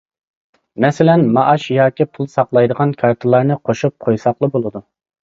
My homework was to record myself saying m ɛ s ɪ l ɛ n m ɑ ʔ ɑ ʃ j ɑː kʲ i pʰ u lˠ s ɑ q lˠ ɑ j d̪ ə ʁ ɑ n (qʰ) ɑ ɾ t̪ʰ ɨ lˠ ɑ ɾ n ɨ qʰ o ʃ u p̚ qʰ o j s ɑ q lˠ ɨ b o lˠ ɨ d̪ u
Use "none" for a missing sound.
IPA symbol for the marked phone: kʰ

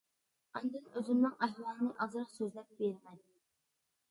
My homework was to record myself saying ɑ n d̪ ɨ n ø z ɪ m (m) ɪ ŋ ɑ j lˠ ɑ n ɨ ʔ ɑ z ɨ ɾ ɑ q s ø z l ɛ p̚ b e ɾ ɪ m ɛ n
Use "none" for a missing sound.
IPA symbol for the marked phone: n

